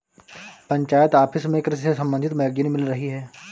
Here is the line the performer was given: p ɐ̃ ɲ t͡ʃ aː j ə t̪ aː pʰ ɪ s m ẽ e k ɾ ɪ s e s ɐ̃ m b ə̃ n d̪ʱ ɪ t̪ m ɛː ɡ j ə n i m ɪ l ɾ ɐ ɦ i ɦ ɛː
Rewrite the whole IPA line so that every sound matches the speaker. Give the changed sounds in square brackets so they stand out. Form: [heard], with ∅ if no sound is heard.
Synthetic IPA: p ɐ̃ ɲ t͡ʃ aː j ə t̪ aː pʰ ɪ s m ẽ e k ɾ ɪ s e s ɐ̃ m b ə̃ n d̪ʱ ɪ t̪ m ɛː ɡ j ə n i m ɪ l ɾ ɐ ɦ i ɦ ɛː